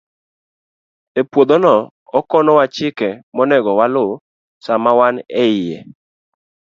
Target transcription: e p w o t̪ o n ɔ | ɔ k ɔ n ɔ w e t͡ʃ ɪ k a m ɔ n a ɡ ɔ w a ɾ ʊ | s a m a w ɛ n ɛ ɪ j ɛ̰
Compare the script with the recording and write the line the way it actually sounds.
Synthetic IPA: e p w o d̪ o n ɔ | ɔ k ɔ n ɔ w a t͡ʃ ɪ k ɛ m ɔ n ɛ ɡ ɔ w a l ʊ | s a m a w a n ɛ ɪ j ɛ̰